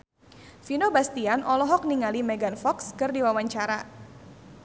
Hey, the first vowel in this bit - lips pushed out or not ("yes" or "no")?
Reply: no